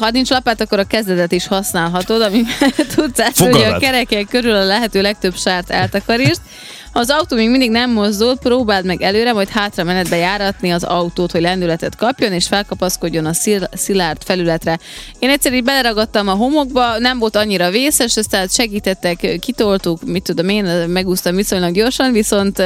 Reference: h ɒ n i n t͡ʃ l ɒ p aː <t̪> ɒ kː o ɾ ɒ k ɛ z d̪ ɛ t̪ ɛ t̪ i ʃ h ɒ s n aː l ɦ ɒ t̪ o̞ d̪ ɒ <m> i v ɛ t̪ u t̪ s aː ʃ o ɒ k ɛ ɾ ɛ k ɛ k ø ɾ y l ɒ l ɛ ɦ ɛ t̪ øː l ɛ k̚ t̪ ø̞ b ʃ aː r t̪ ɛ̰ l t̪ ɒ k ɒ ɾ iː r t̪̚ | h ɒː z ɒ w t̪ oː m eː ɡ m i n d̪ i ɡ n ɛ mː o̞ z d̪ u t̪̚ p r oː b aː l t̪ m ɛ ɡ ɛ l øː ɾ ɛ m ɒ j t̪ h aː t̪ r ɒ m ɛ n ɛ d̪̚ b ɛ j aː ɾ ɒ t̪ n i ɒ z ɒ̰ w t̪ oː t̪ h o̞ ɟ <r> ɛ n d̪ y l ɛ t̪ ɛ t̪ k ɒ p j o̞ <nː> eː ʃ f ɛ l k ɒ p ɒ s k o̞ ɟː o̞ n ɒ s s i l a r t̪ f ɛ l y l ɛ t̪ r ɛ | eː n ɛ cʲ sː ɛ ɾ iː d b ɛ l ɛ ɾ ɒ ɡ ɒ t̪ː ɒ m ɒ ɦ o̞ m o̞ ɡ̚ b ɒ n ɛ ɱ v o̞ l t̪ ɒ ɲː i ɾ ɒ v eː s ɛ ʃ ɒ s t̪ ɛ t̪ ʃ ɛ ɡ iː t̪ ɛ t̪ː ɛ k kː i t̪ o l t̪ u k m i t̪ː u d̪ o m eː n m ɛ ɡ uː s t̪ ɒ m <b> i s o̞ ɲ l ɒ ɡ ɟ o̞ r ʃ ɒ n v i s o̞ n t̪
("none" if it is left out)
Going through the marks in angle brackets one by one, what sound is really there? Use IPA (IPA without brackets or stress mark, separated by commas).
t̪, m, l, n, v